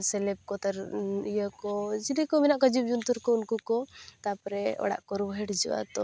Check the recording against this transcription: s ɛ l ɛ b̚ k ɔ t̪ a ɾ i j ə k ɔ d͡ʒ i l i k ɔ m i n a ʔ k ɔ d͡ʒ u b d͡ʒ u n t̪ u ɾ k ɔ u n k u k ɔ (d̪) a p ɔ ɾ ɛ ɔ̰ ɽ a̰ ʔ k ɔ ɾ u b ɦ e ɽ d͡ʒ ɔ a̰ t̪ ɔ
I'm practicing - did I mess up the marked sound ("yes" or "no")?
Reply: yes